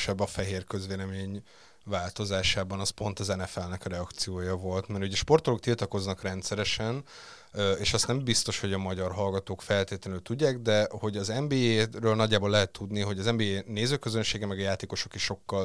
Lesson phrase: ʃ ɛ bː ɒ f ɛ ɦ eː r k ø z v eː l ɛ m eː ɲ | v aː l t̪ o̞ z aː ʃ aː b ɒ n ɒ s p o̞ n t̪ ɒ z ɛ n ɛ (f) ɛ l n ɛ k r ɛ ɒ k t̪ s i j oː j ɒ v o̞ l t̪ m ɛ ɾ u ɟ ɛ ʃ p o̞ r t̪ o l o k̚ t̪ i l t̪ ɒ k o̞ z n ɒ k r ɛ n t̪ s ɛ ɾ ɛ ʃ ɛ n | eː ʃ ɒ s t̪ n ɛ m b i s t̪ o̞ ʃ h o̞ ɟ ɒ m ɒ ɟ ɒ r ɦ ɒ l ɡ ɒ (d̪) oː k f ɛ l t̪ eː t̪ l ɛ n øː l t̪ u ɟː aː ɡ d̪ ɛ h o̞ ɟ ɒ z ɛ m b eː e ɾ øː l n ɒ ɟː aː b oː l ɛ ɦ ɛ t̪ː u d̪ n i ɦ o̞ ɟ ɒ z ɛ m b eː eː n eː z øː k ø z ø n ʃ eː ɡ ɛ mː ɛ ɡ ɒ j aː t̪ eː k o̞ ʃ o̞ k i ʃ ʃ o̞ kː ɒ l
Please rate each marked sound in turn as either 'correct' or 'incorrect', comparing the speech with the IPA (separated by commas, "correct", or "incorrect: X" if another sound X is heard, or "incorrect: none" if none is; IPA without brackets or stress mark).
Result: correct, incorrect: t̪